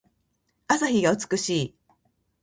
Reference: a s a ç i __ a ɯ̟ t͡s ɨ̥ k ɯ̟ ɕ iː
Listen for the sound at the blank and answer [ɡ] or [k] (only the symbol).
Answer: ɡ